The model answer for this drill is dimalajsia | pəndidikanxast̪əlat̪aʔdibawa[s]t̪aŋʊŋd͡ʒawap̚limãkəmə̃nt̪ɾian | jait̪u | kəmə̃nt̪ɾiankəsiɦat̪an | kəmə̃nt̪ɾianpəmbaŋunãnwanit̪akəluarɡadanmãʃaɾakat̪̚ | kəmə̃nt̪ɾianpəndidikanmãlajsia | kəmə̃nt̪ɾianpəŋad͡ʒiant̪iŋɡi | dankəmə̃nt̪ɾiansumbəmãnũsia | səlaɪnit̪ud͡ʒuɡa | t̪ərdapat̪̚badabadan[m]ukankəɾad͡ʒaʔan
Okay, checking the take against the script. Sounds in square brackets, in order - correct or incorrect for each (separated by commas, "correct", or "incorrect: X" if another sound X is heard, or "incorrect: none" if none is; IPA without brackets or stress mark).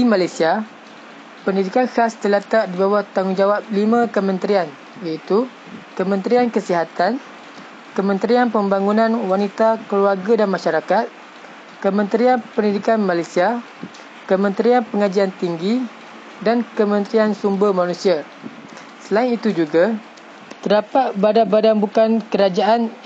incorrect: h, incorrect: b